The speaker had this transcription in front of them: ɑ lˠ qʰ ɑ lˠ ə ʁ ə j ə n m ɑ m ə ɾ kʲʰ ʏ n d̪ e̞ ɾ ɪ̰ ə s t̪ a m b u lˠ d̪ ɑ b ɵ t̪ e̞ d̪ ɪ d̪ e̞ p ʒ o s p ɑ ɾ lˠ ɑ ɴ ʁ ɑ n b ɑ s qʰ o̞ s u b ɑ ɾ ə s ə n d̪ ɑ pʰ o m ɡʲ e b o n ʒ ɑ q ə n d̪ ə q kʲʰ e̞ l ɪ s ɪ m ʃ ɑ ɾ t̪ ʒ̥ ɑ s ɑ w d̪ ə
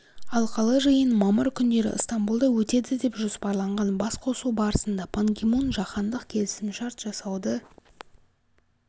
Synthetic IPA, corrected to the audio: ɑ lˠ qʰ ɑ lˠ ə ʒ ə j ə n m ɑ m ə ɾ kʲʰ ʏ n d̪ e̞ ɾ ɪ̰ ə s t̪ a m b u lˠ d̪ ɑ w ɵ t̪ e̞ d̪ ɪ d̪ e̞ p ʒ o s p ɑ ɾ lˠ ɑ ɴ ʁ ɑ n b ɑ s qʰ o̞ s u b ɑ ɾ ə s ə n d̪ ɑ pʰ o ŋ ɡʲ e m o n ʒ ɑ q ɑ n d̪ ə q kʲʰ e̞ l ɪ s ɪ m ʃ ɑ ɾ t̪ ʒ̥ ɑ s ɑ w d̪ ə